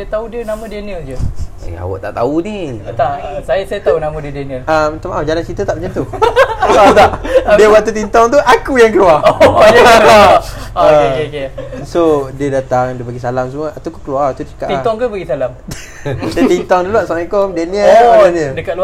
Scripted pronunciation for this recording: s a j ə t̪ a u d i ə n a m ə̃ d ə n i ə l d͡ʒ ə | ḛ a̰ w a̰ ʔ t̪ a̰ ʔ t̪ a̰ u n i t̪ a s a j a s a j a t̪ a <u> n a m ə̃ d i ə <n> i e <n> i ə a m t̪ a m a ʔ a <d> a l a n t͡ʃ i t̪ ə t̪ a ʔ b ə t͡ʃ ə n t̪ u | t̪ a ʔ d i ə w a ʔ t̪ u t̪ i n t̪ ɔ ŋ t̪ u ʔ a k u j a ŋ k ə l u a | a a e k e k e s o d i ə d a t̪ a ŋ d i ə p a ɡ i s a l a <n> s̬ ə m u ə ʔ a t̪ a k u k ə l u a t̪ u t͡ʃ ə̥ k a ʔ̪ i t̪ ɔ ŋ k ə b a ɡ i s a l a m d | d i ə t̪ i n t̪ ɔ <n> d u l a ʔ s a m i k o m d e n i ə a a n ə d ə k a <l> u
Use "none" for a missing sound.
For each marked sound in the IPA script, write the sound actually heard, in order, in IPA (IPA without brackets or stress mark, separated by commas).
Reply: u, d, n, d͡ʒ, m, ŋ, l